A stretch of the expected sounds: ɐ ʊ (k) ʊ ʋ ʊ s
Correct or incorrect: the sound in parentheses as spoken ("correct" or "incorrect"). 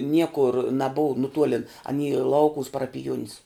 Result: correct